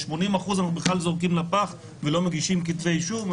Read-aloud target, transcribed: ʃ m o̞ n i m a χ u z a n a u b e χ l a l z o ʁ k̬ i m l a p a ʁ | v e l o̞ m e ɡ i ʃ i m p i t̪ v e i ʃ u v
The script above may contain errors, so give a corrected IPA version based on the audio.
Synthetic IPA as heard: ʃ m o̞ n i m a χ u z a n a u b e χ l a l z o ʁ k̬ i m l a p a χ | v e l o̞ m e ɡ i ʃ i m k i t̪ v e j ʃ u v